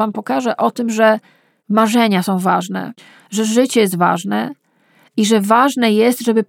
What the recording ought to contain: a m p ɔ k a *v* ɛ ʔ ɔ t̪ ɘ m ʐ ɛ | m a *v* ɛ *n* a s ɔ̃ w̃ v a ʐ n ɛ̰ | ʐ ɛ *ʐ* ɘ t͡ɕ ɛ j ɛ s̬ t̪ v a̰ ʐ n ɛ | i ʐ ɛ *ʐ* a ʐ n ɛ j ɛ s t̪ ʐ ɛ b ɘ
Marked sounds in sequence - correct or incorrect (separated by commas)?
incorrect, incorrect, incorrect, correct, incorrect